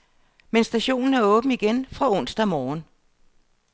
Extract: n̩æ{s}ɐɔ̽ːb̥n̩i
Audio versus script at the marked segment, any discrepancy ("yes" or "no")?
yes